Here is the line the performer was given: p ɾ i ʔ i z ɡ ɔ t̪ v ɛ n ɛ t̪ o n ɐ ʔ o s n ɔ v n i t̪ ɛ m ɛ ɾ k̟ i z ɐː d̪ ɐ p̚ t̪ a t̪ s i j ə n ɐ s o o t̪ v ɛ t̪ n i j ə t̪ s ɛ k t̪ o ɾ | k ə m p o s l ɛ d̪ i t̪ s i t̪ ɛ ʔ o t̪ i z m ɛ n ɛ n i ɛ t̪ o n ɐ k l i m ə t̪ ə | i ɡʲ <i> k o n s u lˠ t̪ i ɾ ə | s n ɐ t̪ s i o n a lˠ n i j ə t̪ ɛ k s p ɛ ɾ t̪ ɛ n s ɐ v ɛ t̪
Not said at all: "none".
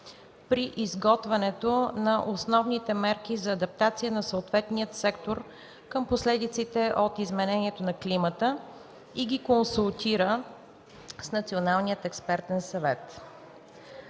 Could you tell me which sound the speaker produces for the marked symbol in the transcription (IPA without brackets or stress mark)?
i